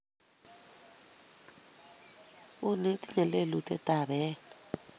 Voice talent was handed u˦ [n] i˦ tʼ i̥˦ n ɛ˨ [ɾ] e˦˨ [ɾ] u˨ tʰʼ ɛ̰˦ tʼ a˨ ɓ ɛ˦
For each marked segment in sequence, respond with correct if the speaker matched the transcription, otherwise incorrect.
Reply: correct, incorrect, incorrect

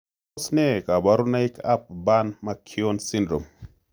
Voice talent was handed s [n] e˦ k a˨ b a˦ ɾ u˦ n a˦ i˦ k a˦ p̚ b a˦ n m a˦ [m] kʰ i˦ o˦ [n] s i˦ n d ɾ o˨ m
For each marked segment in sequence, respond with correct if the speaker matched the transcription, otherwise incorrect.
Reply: correct, incorrect, correct

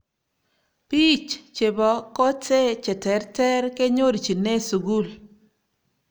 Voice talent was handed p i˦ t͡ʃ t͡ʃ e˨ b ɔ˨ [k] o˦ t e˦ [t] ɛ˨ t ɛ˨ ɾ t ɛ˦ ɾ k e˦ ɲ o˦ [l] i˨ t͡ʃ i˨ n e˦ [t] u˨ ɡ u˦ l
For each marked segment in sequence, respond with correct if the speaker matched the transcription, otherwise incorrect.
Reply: correct, incorrect, incorrect, incorrect

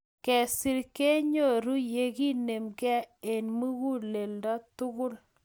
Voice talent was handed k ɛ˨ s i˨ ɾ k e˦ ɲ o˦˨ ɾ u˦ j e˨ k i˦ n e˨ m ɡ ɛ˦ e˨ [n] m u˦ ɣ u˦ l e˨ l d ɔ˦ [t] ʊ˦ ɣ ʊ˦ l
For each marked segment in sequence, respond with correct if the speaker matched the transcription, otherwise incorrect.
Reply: correct, correct

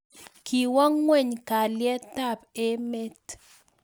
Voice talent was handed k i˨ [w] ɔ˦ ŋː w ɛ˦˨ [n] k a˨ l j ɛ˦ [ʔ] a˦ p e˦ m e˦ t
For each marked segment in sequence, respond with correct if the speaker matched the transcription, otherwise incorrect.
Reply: correct, incorrect, incorrect

